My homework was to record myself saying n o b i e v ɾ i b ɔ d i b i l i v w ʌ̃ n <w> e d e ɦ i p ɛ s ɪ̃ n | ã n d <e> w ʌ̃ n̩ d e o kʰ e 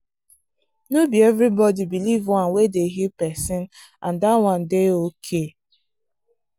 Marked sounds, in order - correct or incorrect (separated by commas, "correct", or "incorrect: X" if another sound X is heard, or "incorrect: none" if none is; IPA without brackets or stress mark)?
correct, incorrect: a